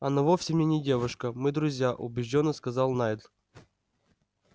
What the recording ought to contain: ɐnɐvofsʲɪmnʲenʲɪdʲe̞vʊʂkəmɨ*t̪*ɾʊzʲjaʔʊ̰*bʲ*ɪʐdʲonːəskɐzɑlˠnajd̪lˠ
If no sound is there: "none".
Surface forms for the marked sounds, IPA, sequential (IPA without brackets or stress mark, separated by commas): d̪, bʲ